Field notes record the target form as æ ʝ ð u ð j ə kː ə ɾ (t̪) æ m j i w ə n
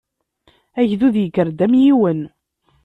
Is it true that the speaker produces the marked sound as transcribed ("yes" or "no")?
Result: no